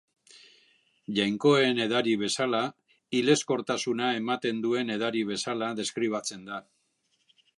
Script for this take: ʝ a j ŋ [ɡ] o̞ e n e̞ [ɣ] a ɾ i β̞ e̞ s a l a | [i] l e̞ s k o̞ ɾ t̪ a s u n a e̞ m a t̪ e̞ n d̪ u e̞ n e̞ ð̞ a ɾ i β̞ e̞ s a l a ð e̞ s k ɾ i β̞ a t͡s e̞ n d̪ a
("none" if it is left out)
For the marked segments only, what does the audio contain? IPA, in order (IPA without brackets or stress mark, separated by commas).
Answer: k, ð, i